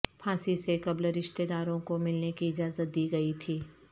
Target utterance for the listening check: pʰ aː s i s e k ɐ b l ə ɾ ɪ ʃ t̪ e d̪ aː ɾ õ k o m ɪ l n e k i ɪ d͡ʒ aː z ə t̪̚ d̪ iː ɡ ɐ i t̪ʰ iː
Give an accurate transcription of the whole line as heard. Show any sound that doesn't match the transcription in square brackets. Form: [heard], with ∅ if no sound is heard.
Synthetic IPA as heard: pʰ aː s i s e k ɐ b l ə ɾ ɪ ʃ t̪ e d̪ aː ɾ õ k o m ɪ l n e k i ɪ d͡ʒ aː z ə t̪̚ d̪ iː ɡ ɐ i t̪ʰ iː